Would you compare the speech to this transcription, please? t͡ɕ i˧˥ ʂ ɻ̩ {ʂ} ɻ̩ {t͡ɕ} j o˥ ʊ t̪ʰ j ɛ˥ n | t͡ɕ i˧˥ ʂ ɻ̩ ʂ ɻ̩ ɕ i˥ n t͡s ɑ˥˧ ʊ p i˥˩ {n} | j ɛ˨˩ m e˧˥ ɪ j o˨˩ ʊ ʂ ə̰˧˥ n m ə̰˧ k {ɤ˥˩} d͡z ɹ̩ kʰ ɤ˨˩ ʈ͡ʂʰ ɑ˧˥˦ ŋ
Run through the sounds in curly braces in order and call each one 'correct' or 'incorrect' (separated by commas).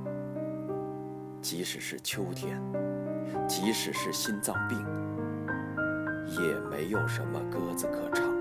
correct, incorrect, incorrect, incorrect